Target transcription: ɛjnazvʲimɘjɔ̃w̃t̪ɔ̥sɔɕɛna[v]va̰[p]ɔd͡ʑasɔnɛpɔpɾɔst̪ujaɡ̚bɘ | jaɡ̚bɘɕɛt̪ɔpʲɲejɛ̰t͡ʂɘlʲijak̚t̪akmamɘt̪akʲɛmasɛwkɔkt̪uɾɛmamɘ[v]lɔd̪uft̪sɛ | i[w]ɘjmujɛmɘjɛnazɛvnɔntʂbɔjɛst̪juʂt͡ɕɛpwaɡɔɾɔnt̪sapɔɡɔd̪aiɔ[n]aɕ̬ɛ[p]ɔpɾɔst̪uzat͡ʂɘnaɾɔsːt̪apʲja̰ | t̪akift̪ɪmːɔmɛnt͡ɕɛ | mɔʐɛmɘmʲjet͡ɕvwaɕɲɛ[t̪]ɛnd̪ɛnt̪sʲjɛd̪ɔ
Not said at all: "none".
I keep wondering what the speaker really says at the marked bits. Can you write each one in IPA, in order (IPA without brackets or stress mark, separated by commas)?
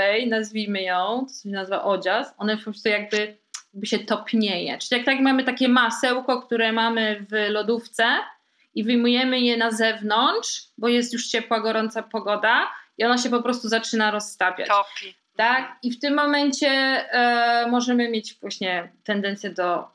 z, ʔ, v, v, n, p, t̪